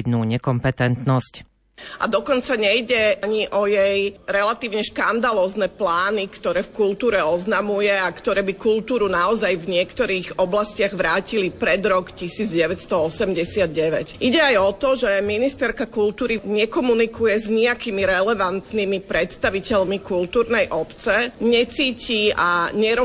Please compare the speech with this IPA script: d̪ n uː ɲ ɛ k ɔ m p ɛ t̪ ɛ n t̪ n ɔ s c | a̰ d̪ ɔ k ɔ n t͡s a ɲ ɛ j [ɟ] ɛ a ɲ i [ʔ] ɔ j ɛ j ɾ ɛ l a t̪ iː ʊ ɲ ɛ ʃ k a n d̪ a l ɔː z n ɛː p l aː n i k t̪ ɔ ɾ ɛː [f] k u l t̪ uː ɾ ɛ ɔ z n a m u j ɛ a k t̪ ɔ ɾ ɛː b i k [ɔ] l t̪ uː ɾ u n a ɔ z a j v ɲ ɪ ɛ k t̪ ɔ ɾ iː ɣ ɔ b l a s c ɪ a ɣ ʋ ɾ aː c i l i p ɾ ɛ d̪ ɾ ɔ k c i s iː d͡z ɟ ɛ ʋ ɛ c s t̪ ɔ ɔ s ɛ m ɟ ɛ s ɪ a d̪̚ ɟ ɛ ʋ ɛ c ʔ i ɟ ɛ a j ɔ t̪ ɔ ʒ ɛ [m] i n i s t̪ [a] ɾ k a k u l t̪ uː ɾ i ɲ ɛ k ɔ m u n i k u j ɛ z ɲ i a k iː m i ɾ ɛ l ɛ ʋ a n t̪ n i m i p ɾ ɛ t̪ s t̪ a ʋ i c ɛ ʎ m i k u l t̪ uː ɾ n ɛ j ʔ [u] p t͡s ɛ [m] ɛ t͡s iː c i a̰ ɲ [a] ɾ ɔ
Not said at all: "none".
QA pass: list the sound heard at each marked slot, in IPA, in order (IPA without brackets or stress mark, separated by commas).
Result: ɟ, ʔ, f, u, m, ɛ, ɔ, ɲ, ɛ